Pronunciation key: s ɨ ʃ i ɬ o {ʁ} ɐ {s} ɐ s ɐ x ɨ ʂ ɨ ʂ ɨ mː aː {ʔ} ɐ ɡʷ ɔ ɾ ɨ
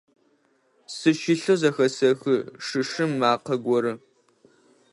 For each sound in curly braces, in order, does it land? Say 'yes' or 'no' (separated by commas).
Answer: no, no, no